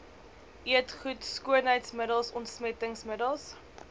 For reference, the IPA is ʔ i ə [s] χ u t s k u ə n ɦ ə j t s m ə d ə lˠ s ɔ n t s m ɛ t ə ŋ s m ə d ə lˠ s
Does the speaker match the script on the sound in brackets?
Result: no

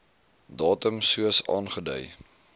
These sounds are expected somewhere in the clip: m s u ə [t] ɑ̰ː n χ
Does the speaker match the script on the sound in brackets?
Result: no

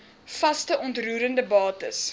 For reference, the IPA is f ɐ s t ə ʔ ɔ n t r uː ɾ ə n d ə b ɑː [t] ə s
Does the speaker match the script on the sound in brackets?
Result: yes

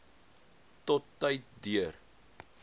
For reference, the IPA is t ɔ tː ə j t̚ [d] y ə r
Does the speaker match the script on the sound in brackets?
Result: yes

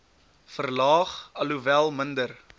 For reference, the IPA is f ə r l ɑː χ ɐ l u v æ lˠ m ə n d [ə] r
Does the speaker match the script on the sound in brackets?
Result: yes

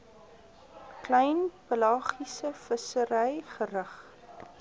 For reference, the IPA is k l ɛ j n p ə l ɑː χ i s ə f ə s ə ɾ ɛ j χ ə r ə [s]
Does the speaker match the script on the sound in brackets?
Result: no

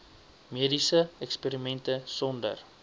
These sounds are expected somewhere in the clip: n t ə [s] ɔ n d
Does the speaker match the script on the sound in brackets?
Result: yes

